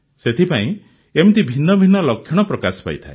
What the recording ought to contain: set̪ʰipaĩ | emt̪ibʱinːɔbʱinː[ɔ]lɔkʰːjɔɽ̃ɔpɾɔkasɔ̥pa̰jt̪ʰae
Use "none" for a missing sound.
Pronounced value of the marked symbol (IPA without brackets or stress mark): ɔ